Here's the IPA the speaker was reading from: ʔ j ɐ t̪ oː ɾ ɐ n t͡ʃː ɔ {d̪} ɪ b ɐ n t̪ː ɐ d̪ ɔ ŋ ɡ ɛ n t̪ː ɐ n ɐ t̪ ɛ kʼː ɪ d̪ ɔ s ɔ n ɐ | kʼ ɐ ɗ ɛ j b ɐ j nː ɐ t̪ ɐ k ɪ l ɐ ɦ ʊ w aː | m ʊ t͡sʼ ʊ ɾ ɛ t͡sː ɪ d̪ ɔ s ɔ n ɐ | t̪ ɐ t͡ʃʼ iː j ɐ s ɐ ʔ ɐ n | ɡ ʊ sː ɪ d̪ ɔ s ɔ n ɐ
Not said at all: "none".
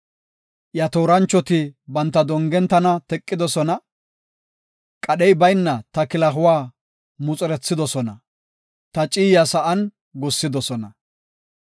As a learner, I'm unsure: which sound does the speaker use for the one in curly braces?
t̪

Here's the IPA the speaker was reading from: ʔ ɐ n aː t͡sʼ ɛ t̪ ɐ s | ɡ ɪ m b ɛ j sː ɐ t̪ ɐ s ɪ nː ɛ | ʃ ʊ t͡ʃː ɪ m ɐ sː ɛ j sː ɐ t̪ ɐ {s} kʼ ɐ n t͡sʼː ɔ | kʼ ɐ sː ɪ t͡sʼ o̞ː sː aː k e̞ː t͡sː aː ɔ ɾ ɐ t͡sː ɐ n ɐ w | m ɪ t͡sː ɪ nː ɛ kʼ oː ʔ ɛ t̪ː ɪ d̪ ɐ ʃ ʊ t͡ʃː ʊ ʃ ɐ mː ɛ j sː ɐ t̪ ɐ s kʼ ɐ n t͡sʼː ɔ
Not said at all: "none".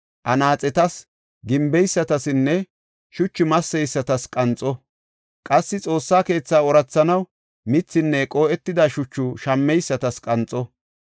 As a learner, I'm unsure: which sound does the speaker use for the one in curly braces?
s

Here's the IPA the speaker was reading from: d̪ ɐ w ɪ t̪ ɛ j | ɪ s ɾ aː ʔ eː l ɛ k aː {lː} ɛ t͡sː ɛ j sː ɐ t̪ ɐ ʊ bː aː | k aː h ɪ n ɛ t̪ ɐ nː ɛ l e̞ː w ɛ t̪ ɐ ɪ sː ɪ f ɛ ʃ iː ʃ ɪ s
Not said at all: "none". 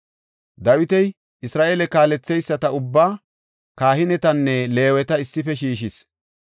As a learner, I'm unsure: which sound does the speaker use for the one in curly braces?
l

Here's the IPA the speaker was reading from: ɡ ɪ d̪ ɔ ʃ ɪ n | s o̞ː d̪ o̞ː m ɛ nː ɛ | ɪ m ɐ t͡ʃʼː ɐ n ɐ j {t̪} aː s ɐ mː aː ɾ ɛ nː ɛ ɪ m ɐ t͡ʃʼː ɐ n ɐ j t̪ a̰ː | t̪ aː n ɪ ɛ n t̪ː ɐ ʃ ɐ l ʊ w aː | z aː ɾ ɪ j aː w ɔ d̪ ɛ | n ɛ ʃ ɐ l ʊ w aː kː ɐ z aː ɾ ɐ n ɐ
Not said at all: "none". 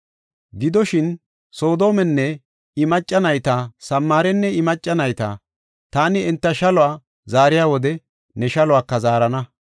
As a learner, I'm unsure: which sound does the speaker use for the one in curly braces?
t̪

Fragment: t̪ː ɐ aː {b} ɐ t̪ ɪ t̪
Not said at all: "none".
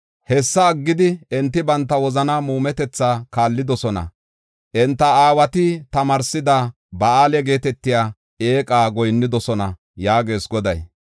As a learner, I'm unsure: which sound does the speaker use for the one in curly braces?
w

